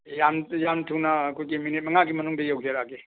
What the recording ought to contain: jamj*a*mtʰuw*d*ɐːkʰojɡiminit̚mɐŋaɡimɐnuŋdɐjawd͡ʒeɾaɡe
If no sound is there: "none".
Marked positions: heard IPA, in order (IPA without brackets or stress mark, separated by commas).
a, n